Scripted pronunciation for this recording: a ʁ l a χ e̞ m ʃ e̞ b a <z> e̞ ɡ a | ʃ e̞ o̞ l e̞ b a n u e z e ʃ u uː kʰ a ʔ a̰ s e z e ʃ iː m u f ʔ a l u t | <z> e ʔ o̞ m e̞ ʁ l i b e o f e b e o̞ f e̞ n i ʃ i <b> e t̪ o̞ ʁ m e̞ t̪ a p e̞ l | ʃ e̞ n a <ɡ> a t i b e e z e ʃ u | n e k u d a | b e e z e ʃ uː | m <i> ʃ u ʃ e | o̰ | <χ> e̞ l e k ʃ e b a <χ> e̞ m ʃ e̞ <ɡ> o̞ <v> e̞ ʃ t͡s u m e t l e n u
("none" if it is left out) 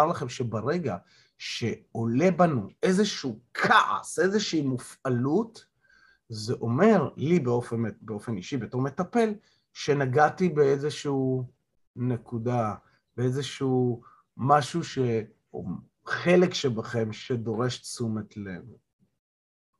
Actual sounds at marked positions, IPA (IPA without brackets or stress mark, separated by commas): ʁ, z, b, ɡ, a, χ, χ, d, ʁ